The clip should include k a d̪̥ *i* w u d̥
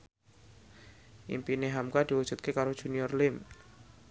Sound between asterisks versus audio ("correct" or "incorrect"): correct